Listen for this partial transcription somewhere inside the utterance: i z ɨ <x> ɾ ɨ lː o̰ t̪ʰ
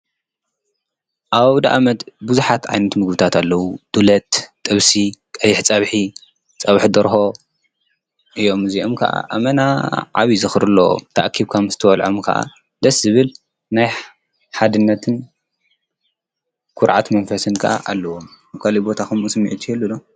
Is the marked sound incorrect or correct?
correct